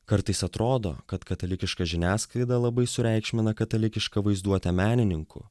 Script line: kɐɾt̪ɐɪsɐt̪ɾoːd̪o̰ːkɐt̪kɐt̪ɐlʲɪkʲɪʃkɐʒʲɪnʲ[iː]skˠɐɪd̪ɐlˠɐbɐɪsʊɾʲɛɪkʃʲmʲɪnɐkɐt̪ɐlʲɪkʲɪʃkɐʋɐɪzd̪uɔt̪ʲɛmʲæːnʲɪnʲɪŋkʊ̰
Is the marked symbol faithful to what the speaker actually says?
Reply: no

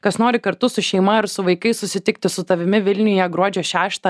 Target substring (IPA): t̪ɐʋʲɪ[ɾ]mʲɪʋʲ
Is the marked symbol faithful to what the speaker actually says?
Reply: no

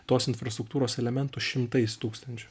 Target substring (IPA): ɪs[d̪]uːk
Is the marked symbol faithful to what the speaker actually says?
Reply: no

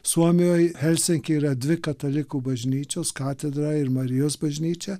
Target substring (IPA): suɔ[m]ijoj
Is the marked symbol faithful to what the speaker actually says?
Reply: yes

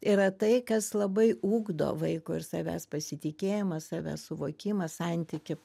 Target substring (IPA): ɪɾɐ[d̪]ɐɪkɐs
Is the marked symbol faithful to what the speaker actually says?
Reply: no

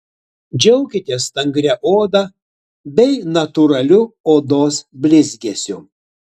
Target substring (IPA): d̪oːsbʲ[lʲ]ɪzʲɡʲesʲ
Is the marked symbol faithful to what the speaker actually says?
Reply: yes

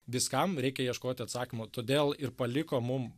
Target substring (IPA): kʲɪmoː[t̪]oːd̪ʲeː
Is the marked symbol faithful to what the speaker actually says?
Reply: yes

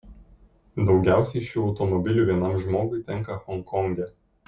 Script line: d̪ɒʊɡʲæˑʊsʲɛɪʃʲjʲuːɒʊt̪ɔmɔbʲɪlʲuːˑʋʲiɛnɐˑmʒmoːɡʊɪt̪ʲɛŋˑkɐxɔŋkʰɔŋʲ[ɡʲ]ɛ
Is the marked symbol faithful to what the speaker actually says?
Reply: yes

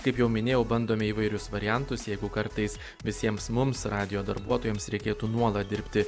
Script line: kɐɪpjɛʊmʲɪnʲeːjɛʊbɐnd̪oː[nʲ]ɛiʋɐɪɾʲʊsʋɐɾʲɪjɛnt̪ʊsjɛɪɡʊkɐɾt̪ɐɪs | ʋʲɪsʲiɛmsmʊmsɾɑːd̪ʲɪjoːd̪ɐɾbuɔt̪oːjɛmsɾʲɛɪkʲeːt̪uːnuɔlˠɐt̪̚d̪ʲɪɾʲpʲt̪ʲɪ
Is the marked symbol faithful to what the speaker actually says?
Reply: no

